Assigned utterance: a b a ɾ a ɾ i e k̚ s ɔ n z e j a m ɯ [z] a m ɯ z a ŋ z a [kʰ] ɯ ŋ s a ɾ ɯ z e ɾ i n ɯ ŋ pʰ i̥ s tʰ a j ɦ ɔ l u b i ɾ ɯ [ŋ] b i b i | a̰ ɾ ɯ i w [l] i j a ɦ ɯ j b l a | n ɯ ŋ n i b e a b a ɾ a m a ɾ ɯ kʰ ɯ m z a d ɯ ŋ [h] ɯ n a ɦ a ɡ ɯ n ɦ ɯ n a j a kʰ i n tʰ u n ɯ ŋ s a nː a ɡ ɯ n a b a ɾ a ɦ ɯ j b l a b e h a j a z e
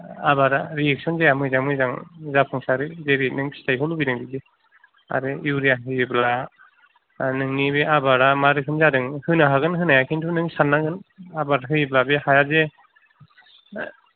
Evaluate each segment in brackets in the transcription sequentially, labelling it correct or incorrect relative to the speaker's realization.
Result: correct, incorrect: pʰ, correct, incorrect: ɾ, correct

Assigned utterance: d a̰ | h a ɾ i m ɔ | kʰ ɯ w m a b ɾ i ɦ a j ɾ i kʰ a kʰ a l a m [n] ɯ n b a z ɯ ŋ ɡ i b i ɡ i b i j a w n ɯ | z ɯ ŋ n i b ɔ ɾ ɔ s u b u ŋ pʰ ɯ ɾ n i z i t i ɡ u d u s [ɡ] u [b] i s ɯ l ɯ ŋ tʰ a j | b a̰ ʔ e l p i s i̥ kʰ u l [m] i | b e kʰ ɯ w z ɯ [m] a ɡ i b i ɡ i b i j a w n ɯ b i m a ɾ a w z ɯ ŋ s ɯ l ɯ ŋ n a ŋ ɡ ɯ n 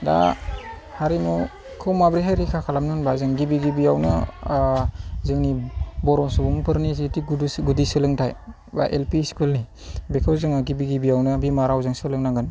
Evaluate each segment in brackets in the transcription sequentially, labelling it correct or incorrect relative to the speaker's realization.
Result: correct, correct, incorrect: d, incorrect: n, incorrect: ŋ

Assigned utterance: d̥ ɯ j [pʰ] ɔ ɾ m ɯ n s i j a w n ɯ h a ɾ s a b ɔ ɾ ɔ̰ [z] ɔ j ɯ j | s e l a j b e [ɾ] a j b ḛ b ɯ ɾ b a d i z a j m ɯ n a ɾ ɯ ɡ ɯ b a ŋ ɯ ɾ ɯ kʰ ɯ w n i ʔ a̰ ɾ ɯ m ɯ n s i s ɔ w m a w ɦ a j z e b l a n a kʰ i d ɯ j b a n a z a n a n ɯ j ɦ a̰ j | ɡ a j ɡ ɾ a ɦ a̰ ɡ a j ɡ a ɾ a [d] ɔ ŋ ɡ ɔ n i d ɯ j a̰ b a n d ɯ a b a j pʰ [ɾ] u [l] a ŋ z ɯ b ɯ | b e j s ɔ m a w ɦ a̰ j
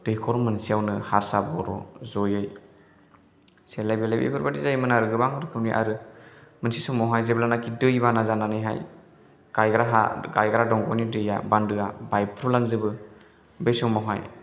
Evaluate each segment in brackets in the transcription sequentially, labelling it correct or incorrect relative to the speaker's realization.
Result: incorrect: kʰ, correct, incorrect: l, correct, correct, correct

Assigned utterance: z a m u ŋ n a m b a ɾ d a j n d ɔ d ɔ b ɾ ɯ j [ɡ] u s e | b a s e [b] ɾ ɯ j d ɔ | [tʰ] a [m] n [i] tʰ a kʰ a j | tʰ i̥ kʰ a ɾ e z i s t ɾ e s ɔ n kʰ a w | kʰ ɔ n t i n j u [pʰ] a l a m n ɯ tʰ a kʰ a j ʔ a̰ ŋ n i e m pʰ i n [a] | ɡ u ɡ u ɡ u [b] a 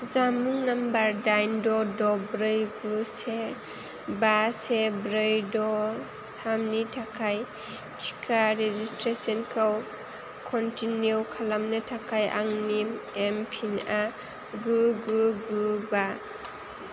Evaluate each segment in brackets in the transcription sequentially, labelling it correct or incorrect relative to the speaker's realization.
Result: correct, correct, correct, correct, correct, incorrect: kʰ, correct, correct

